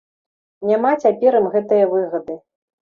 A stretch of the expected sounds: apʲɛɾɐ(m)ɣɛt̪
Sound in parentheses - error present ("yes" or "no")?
no